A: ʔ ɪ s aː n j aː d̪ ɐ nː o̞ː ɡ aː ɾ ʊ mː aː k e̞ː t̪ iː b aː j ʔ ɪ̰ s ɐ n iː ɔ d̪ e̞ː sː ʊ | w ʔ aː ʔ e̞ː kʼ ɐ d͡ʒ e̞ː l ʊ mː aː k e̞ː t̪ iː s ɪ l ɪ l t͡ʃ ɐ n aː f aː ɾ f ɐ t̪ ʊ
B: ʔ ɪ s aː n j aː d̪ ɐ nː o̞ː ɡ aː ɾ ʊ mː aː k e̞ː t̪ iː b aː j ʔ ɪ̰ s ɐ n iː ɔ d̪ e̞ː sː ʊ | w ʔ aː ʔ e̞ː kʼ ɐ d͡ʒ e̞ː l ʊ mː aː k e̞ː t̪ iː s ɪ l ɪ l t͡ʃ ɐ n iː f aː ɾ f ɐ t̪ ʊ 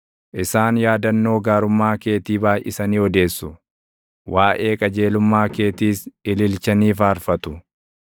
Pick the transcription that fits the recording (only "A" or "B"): B